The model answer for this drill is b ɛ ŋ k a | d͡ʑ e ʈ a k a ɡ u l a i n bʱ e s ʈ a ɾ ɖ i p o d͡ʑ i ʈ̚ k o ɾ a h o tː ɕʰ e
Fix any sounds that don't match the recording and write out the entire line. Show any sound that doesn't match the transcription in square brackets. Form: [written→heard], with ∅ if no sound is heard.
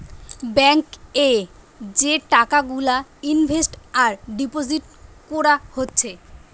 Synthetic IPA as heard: b ɛ ŋ k [a→e] | d͡ʑ e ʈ a k a ɡ u l a i n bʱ e s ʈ a ɾ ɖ i p o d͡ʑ i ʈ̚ k o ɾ a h o tː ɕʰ e

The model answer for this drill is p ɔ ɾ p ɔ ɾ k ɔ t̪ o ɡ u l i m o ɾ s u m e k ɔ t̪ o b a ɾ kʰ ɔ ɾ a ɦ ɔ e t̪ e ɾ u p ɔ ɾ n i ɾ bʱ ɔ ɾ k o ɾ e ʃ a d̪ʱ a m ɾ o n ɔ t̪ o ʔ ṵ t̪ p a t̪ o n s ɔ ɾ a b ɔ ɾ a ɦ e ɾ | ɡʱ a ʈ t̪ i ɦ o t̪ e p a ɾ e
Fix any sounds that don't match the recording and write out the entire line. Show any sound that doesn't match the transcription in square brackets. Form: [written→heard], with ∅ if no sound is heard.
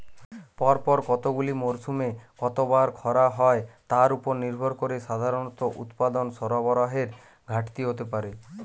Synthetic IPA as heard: p ɔ ɾ p ɔ ɾ k ɔ t̪ o ɡ u l i m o ɾ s u m e k ɔ t̪ o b a ɾ kʰ ɔ ɾ a ɦ ɔ e t̪ [e→a] ɾ u p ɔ ɾ n i ɾ bʱ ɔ ɾ k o ɾ e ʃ a d̪ʱ a [m→∅] ɾ o n ɔ t̪ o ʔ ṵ t̪ p a [t̪→d̪] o n s ɔ ɾ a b ɔ ɾ a ɦ e ɾ | ɡʱ a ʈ t̪ i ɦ o t̪ e p a ɾ e

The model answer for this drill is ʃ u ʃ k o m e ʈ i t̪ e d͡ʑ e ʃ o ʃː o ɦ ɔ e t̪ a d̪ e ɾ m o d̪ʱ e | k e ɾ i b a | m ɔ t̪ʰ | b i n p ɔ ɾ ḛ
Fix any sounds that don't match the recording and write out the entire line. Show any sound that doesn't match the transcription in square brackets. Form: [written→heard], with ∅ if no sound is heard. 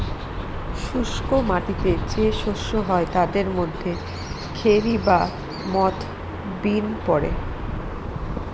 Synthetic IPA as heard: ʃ u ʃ k o m [e→a] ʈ i t̪ e d͡ʑ e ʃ o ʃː o ɦ ɔ e t̪ a d̪ e ɾ m o [d̪ʱ→d̪ʱː] e | [k→kʰ] e ɾ i b a | m ɔ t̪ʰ | b i n p ɔ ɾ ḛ

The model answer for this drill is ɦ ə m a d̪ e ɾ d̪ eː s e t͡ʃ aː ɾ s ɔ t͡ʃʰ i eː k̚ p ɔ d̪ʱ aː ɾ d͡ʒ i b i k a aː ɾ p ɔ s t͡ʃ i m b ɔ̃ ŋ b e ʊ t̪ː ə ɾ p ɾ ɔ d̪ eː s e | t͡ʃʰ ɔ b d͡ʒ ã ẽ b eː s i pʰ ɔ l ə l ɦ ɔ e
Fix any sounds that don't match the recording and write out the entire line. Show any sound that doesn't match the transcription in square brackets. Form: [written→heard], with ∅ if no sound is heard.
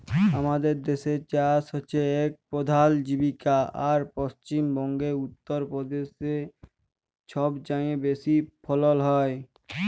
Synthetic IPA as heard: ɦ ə m a d̪ e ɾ d̪ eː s e t͡ʃ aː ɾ s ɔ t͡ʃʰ [i→e] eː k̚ p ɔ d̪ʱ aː [ɾ→l] d͡ʒ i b i k a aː ɾ p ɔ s t͡ʃ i m b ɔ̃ ŋ [b→ɡ] e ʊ t̪ː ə ɾ p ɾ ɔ d̪ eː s e | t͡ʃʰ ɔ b d͡ʒ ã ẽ b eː s i pʰ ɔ l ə l ɦ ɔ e

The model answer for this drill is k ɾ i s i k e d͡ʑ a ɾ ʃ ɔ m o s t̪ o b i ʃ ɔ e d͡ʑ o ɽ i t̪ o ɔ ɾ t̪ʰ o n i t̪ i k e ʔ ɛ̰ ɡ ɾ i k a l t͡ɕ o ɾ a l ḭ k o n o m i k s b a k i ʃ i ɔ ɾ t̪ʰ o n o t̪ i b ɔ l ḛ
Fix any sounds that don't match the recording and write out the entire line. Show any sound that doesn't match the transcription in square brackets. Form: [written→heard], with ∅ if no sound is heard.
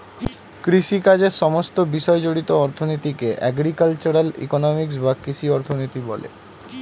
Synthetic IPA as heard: k ɾ i [s→ʃ] i k [e→a] d͡ʑ [a→e] ɾ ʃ ɔ m o s t̪ o b i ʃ ɔ e d͡ʑ o ɽ i t̪ o ɔ ɾ t̪ʰ o n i t̪ i k e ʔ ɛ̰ ɡ ɾ i k a l t͡ɕ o ɾ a l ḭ k o n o m i k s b a k i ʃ i ɔ ɾ t̪ʰ o n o t̪ i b ɔ l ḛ

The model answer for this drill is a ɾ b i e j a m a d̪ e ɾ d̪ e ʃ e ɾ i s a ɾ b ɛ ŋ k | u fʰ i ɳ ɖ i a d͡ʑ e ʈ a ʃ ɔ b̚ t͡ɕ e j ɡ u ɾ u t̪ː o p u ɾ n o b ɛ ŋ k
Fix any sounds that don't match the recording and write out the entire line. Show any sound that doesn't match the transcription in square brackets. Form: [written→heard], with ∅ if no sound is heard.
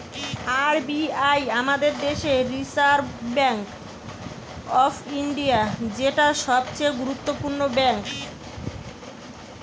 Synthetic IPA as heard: a ɾ b i [e→a] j a m a d̪ e ɾ d̪ e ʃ e ɾ i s a ɾ b ɛ ŋ k | [u→ɔ] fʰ i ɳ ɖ i a d͡ʑ e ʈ a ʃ ɔ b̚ t͡ɕ e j ɡ u ɾ u t̪ː o p u ɾ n o b ɛ ŋ k

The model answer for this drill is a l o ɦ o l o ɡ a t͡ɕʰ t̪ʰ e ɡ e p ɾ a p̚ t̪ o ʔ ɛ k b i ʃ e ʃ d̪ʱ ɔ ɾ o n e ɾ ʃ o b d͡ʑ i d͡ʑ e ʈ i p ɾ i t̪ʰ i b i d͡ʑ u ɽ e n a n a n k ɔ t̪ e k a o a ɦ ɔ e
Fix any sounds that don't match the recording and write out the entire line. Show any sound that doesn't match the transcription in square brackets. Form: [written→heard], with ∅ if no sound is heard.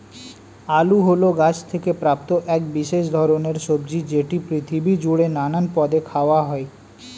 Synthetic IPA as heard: a l [o→u] ɦ o l o ɡ a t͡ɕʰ t̪ʰ e [ɡ→k] e p ɾ a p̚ t̪ o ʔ ɛ k b i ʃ e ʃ d̪ʱ ɔ ɾ o n e ɾ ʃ o b d͡ʑ i d͡ʑ e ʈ i p ɾ i t̪ʰ i b i d͡ʑ u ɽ e n a n a n [k→p] ɔ [t̪→d̪] e [k→kʰ] a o a ɦ ɔ e

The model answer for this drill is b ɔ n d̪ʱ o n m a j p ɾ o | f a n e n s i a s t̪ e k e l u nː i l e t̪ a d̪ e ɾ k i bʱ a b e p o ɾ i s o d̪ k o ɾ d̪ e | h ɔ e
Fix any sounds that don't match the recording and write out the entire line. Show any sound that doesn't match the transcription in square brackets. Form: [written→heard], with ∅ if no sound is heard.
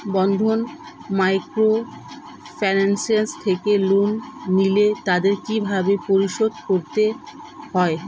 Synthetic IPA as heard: b ɔ n d̪ʱ o n m a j [p→k] ɾ o | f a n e n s i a s [t̪→t̪ʰ] e k e l u nː i l e t̪ a d̪ e ɾ k i bʱ a b e p o ɾ i [s→ʃ] o d̪ k o ɾ [d̪→t̪] e | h ɔ e

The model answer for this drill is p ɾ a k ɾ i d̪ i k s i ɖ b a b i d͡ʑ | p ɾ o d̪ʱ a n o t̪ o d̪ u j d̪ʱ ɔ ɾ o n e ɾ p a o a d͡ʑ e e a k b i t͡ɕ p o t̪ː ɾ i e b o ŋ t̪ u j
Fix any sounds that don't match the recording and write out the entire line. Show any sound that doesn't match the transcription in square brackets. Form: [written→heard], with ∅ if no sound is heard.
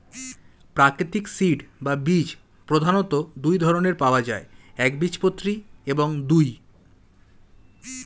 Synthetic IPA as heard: p ɾ a k ɾ i [d̪→t̪] i k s i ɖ b a b i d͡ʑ | p ɾ o d̪ʱ a n o t̪ o d̪ u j d̪ʱ ɔ ɾ o n e ɾ p a o a d͡ʑ [e→a] e [a→ɛ] k b i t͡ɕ p o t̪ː ɾ i e b o ŋ [t̪→d̪] u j

